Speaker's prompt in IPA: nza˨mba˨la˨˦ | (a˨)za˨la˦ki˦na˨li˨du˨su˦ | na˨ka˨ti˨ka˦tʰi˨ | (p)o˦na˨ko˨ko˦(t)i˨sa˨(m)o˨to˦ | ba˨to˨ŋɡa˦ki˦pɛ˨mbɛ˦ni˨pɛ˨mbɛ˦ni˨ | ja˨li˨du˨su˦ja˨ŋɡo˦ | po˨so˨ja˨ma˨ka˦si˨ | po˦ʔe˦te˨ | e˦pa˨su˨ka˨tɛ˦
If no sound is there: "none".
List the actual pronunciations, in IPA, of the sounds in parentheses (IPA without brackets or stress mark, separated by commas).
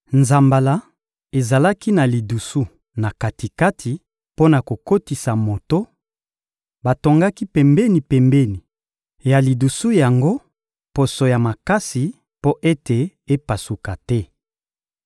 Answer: e˨, p, t, m